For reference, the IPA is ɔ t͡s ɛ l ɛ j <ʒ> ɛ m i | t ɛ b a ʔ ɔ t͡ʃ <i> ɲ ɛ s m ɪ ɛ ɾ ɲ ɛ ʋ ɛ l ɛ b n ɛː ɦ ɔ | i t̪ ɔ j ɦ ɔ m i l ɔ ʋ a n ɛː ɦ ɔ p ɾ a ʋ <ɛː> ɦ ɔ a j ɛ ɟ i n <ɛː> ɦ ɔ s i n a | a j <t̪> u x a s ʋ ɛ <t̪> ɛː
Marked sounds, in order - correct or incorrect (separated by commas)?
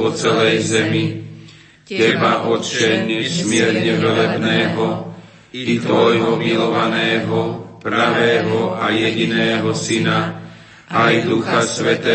incorrect, incorrect, correct, correct, incorrect, correct